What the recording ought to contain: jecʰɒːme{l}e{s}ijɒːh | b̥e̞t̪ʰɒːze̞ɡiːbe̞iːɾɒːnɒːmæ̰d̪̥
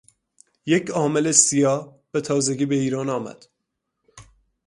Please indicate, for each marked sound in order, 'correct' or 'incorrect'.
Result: correct, correct

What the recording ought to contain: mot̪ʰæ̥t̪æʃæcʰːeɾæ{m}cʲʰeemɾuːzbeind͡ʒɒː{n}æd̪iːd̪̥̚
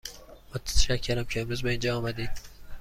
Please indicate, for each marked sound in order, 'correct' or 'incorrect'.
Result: correct, incorrect

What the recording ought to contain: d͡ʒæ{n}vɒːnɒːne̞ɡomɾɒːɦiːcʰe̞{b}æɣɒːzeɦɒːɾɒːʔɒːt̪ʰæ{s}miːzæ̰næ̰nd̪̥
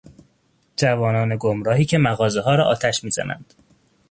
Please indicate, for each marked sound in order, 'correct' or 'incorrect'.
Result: incorrect, incorrect, incorrect

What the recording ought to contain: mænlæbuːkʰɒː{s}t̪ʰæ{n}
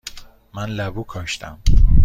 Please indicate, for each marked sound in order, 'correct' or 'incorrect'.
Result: incorrect, incorrect

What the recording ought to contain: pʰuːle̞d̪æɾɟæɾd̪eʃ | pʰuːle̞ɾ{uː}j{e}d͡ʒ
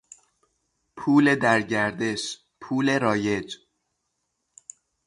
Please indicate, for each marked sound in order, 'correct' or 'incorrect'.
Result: incorrect, correct

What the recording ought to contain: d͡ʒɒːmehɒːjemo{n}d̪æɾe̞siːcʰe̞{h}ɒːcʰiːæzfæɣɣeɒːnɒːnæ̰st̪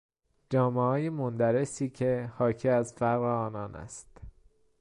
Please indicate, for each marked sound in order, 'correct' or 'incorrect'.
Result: correct, correct

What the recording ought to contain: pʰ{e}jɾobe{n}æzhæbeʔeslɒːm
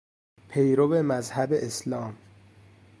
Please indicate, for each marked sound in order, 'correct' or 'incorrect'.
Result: correct, incorrect

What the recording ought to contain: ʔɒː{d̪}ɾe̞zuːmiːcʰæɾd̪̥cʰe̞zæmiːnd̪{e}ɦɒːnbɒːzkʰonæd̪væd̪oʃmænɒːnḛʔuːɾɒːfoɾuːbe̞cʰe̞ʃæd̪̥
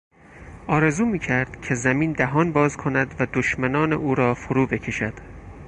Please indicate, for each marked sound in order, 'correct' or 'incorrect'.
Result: incorrect, incorrect

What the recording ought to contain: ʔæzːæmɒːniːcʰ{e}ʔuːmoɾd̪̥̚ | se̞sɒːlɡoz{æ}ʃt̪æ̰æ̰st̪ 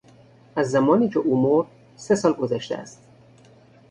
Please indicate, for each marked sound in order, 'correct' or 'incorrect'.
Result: correct, correct

